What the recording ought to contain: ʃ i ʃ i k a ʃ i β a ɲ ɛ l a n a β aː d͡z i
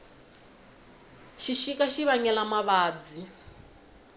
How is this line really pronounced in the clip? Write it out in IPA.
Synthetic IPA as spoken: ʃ i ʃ i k a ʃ i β a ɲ ɛ l a m a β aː d͡z i

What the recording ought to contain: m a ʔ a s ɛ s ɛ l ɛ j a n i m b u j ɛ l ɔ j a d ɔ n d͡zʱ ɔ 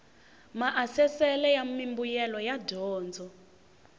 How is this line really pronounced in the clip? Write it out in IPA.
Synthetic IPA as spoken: m a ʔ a s ɛ s ɛ l ɛ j a m i m b u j ɛ l ɔ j a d ɔː n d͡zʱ ɔ

